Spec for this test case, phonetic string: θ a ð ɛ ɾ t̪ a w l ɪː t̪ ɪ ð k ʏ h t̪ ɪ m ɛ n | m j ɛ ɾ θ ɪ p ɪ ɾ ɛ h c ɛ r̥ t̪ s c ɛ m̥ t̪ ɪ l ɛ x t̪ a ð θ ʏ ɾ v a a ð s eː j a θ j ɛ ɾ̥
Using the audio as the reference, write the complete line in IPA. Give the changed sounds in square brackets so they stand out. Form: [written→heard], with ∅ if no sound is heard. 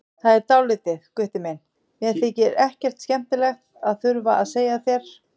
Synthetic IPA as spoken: θ a ð ɛ ɾ t̪ a w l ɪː t̪ ɪ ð k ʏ h t̪ ɪ m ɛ n | m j ɛ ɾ θ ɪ [p→c] ɪ ɾ ɛ h c ɛ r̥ t̪ s c ɛ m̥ t̪ ɪ l ɛ x t̪ a ð θ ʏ ɾ v a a ð s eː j a θ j ɛ ɾ̥